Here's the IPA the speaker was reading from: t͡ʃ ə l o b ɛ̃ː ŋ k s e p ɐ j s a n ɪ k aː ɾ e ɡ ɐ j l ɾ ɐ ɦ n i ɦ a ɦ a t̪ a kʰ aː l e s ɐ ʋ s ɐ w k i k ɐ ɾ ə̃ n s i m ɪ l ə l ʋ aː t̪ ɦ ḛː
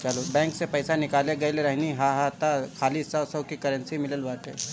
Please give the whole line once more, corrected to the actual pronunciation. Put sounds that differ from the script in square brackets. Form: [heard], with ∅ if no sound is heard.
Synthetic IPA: t͡ʃ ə l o b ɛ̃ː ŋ k s e p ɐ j s a n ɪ k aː [l] e ɡ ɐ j l ɾ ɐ ɦ n i ɦ a ɦ a t̪ a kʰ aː l [i] s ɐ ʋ s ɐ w k i k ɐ ɾ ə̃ n s i m ɪ l ə l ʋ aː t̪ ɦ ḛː